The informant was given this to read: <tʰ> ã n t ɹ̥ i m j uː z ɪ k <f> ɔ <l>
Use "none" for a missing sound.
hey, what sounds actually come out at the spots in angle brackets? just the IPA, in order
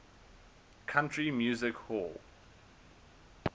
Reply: kʰ, h, l

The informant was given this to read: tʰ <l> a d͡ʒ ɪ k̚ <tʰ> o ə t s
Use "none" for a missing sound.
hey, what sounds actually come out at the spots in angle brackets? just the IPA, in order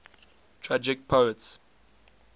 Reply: ɹ, pʰ

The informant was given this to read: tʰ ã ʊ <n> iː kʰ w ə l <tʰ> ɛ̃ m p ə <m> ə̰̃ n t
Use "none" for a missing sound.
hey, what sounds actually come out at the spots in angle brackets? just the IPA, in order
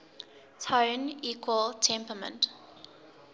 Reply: n, tʰ, m

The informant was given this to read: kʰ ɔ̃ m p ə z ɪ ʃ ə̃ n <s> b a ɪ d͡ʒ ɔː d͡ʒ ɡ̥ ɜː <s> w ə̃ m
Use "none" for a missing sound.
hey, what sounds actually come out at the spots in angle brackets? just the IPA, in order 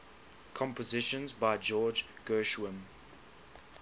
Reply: z, ʃ

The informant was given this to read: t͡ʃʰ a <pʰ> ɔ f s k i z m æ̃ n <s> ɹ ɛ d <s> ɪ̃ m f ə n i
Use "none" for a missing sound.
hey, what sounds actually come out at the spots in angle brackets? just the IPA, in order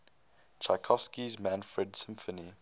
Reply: kʰ, f, s

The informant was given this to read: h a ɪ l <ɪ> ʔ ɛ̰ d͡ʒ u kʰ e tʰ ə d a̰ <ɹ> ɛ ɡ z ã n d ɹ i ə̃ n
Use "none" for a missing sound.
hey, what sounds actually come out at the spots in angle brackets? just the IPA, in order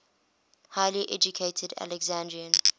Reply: i, l

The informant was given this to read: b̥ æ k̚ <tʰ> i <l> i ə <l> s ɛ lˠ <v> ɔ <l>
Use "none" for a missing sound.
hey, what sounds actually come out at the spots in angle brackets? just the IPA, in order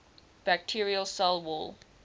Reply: tʰ, ɹ, l, w, l

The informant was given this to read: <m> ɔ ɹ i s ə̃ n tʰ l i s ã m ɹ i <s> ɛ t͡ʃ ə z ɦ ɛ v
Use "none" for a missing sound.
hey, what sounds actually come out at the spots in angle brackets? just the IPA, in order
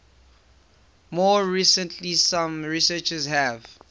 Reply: m, s

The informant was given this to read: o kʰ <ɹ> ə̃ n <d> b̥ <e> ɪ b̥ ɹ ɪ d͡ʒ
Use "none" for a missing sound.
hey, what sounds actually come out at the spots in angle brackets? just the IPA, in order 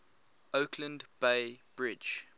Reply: l, d, e

